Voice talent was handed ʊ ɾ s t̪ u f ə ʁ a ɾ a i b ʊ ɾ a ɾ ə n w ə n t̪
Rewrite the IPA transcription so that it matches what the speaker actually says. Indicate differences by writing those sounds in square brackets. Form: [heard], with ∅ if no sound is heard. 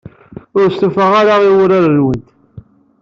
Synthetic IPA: ʊ ɾ s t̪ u f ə ʁ a ɾ a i [w] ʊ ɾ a ɾ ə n w ə n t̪